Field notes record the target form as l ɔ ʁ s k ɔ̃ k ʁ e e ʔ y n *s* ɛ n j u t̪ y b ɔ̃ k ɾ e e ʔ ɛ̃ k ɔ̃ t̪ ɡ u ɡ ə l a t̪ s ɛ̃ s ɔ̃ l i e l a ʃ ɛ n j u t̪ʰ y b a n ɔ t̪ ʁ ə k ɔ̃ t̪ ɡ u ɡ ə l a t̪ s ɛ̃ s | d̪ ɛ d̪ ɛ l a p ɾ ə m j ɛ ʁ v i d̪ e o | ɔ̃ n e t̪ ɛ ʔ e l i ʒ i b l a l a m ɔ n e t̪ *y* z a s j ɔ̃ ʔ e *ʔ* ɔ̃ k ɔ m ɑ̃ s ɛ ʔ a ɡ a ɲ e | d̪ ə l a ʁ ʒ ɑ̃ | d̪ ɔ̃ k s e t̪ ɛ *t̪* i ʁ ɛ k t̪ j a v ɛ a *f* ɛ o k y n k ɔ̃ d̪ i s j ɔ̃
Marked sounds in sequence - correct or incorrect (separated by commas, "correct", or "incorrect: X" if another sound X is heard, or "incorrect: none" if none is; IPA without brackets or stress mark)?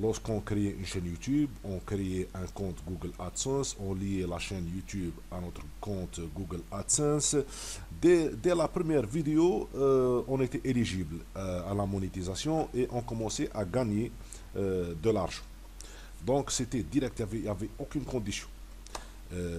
incorrect: ʃ, incorrect: i, correct, incorrect: d̪, incorrect: v